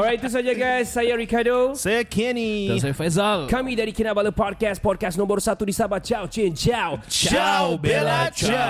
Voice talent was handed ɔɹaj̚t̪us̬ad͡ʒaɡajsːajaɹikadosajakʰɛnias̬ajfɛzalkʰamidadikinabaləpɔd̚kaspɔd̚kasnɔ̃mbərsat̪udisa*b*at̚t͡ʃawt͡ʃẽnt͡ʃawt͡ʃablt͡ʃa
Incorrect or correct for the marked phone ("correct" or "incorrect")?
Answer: correct